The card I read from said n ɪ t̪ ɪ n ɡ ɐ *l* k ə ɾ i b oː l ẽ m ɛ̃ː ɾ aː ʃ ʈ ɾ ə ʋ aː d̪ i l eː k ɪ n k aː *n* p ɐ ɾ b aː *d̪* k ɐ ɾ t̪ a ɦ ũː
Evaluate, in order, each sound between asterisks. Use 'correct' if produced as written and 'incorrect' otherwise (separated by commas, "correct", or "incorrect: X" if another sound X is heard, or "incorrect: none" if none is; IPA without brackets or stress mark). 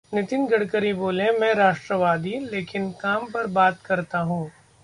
incorrect: ɽ, incorrect: m, incorrect: t̪